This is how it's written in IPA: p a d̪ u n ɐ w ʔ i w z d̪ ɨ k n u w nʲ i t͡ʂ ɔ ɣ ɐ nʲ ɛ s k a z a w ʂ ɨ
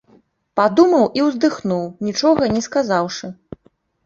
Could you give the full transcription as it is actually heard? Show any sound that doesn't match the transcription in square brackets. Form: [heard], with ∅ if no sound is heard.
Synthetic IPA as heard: p a d̪ u [m] ɐ w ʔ i w z d̪ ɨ [x] n u w nʲ i t͡ʂ ɔ ɣ ɐ nʲ ɛ s k a z a w ʂ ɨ